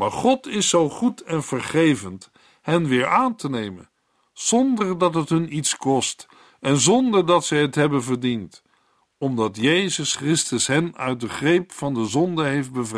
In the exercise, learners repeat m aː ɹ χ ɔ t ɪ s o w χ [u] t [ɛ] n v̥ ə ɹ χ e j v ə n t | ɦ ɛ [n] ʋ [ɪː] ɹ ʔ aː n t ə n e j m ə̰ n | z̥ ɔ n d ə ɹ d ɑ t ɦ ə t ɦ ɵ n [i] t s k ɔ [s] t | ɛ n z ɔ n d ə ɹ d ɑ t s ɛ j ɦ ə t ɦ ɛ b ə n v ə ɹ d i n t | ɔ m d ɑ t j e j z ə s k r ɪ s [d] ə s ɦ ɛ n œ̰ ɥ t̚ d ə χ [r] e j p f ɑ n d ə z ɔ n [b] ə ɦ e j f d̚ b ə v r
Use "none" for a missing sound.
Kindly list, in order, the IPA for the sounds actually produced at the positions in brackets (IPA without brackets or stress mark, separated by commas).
u, ɛ, n, ɪː, i, s, t, r, d